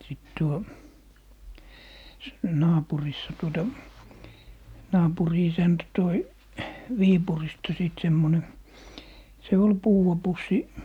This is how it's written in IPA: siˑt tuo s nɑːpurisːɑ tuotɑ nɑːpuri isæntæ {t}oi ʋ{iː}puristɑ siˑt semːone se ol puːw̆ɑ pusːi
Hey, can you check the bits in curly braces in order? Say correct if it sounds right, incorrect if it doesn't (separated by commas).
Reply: correct, correct